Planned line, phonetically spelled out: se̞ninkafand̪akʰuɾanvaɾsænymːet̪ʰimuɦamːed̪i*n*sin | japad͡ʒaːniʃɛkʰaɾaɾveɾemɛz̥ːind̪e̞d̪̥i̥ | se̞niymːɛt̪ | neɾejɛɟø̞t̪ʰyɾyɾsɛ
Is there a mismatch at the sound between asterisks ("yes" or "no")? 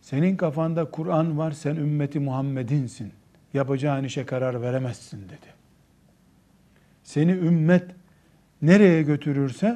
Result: no